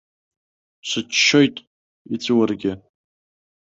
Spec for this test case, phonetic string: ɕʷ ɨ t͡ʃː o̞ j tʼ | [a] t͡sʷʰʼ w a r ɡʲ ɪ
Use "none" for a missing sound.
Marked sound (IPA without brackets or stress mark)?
i